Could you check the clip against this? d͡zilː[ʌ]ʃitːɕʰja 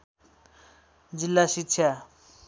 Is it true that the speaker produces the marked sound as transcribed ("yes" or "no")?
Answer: no